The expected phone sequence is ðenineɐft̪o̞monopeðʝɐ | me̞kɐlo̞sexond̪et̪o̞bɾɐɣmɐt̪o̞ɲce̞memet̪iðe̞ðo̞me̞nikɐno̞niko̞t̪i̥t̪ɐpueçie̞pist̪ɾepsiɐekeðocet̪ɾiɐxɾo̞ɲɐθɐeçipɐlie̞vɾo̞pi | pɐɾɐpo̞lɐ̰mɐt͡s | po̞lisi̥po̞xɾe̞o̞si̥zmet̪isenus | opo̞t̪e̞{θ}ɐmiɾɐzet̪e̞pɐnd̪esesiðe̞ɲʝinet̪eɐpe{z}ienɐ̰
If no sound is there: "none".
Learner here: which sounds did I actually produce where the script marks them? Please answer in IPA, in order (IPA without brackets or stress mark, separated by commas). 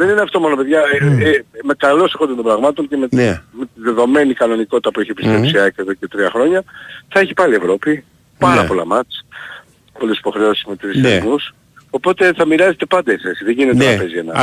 θ, z